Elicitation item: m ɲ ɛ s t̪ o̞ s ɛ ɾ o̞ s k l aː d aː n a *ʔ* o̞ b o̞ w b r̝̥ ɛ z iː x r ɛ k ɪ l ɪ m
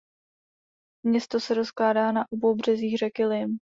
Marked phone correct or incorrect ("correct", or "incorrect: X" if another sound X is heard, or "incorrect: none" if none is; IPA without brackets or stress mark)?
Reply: correct